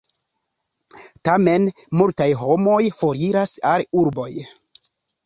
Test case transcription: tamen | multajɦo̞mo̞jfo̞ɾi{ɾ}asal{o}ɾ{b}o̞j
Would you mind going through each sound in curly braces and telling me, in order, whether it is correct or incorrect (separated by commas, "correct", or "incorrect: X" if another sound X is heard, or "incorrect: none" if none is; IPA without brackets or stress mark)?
correct, incorrect: u, correct